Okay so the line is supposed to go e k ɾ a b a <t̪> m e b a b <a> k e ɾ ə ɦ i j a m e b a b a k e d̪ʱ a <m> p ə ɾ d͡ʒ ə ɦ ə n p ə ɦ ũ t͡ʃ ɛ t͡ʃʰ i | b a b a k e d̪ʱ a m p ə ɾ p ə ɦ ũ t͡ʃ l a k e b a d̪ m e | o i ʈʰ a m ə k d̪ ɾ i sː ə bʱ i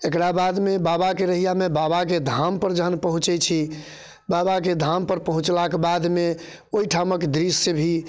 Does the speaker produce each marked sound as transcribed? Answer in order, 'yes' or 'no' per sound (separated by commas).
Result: no, yes, yes